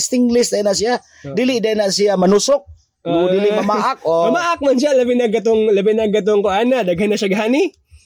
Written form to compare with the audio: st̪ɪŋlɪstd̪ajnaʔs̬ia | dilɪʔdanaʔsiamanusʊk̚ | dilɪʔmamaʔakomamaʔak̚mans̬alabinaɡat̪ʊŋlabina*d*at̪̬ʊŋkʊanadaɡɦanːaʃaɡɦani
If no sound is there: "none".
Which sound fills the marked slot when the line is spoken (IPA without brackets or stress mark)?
ɡ